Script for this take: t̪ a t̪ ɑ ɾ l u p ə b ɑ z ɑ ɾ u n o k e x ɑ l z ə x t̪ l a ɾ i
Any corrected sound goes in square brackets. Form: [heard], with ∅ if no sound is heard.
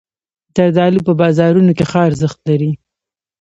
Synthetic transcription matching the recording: t̪ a [d̪] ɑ [∅] l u p ə b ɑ z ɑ ɾ u n o k e x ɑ [ɾ] z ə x t̪ l a ɾ i